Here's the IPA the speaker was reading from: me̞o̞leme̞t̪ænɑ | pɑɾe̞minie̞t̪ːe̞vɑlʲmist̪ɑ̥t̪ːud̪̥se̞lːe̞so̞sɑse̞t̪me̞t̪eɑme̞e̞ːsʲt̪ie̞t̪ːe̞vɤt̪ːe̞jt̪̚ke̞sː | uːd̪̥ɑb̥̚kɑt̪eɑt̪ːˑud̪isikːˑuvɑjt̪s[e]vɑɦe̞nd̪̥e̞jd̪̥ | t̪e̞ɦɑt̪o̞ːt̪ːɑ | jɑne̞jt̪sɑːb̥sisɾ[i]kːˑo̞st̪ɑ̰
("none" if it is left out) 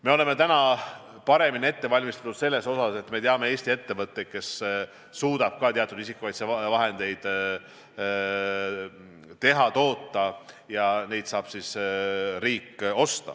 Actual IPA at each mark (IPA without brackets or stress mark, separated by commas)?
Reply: e, iː